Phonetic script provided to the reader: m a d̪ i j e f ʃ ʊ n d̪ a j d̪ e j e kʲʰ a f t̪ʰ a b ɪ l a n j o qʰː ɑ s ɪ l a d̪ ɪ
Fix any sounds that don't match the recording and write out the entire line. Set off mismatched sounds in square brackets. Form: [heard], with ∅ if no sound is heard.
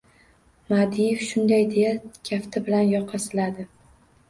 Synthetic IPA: m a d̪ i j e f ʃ ʊ n d̪ a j d̪ e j [a] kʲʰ a f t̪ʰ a b ɪ l a n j [ɒ] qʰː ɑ s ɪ l a d̪ ɪ

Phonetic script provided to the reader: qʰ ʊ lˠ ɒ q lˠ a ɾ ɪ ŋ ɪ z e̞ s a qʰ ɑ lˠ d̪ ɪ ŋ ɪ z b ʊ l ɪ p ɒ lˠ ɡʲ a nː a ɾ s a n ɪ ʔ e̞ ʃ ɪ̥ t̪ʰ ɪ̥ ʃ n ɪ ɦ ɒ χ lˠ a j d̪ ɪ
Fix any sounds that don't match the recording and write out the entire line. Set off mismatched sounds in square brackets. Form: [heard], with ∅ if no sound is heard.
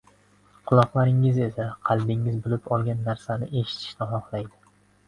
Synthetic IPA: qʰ ʊ lˠ ɒ q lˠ a ɾ ɪ ŋ ɪ z e̞ s a qʰ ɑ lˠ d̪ ɪ ŋ ɪ z b ʊ l ɪ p ɒ lˠ ɡʲ a nː a ɾ s a n ɪ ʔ e̞ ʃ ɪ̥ t̪ʰ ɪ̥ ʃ n ɪ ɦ ɒ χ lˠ a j d̪ ɪ

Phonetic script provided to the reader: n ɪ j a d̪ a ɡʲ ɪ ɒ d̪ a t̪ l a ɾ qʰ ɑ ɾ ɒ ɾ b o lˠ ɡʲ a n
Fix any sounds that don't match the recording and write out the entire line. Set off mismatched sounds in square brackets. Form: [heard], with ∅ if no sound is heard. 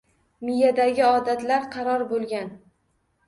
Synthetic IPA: [m] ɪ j a d̪ a ɡʲ ɪ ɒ d̪ a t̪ l a ɾ qʰ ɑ ɾ ɒ ɾ b o lˠ ɡʲ a n

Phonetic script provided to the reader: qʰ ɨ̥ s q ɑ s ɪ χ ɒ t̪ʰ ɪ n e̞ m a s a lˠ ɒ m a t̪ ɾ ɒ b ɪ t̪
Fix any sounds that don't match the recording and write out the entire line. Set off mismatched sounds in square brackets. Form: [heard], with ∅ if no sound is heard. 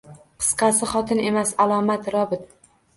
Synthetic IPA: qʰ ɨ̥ s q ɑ s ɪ χ ɒ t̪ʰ ɪ n e̞ m a s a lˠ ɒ m a t̪ ɾ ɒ b ɪ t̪

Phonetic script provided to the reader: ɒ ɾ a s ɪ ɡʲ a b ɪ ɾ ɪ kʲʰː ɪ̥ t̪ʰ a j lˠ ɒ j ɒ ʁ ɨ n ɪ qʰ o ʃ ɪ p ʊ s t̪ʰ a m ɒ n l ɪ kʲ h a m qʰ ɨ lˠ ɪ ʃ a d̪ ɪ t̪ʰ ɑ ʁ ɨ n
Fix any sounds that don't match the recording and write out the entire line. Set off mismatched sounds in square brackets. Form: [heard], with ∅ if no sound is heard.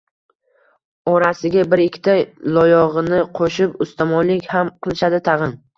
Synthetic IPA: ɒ ɾ a s ɪ ɡʲ a b ɪ ɾ ɪ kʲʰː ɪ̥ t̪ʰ a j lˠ ɒ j ɒ ʁ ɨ n ɪ qʰ o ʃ ɪ p ʊ s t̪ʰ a m ɒ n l ɪ kʲ h a m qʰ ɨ lˠ ɪ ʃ a d̪ ɪ t̪ʰ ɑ ʁ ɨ n

